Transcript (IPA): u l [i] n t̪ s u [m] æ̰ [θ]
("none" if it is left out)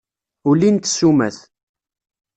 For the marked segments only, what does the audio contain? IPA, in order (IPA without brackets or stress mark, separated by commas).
i, m, θ